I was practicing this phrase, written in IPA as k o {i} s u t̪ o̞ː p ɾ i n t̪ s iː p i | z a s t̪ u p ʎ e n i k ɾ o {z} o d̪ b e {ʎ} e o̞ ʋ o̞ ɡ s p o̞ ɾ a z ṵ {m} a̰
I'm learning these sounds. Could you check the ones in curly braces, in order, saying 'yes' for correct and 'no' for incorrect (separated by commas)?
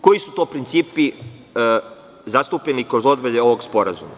yes, yes, yes, yes